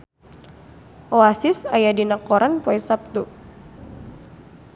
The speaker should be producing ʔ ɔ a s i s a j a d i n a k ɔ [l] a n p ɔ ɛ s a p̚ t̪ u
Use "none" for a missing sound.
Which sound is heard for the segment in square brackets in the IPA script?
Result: ɾ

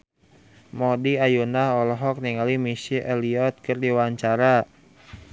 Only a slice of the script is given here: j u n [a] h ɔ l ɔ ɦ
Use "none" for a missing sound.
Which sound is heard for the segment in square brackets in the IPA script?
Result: a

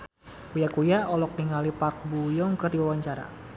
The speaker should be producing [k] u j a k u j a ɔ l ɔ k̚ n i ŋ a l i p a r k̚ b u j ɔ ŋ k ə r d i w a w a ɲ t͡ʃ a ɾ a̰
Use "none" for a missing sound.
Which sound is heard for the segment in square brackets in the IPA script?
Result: k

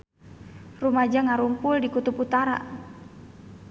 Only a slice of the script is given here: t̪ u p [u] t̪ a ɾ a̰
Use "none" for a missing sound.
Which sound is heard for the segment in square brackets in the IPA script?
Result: u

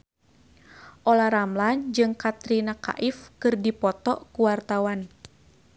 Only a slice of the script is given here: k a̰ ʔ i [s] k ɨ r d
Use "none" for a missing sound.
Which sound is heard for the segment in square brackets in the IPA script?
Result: f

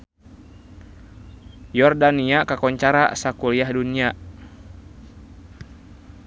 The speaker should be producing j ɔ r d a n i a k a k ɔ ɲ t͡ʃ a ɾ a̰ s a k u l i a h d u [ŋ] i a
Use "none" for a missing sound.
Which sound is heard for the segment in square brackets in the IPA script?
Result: n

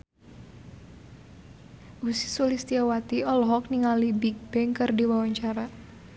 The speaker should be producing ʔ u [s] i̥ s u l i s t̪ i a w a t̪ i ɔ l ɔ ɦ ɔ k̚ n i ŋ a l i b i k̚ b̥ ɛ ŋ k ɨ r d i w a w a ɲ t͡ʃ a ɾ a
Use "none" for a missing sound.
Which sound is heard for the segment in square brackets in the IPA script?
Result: s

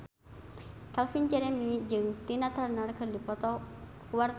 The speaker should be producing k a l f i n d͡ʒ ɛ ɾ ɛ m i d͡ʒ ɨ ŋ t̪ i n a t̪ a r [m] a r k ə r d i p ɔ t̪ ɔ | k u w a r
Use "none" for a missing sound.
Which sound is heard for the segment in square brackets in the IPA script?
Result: n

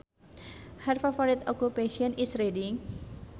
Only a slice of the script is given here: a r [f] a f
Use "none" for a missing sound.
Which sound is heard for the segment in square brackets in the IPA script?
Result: f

